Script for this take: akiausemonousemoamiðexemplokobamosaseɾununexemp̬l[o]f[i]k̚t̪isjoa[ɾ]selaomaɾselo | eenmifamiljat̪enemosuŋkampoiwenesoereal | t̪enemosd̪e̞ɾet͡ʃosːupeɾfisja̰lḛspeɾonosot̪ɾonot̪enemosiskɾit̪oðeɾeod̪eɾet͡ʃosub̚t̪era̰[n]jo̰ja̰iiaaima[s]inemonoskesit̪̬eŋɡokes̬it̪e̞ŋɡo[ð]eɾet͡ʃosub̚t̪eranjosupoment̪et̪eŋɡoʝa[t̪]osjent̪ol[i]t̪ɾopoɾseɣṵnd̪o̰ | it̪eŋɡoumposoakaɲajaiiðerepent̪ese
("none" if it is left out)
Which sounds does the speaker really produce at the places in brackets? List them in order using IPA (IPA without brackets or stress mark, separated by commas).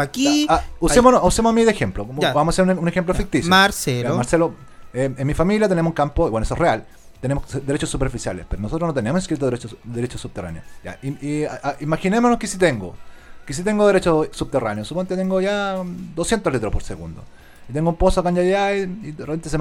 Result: o, i, ɾ, n, x, ð, d̪, i